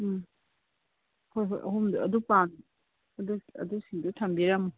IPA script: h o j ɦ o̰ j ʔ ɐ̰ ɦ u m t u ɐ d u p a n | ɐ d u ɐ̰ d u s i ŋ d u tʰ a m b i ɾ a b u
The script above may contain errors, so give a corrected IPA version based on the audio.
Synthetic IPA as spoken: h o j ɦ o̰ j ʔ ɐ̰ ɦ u m d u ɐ d u p a n | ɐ d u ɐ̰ d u s i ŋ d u tʰ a m b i ɾ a m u